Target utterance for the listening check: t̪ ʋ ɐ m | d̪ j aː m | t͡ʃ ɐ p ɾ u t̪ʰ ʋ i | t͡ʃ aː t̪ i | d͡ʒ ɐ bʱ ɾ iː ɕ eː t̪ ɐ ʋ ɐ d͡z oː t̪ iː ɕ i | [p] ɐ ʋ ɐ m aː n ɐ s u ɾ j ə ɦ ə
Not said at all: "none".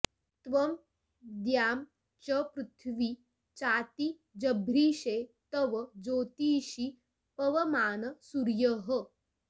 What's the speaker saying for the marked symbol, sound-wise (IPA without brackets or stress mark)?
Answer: p